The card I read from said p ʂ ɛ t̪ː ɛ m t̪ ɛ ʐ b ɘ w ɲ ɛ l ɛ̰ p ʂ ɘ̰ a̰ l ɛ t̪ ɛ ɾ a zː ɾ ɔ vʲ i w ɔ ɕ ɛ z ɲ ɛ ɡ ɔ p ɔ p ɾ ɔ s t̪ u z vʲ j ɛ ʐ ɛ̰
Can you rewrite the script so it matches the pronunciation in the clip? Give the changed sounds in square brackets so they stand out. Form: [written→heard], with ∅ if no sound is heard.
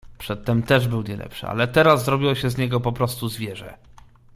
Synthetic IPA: p ʂ ɛ t̪ː ɛ m t̪ ɛ ʐ b ɘ w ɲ ɛ l ɛ̰ p ʂ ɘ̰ a̰ l ɛ t̪ ɛ ɾ a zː ɾ ɔ [vʲ→bʲ] i w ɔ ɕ ɛ z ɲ ɛ ɡ ɔ p ɔ p ɾ ɔ s t̪ u z vʲ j ɛ ʐ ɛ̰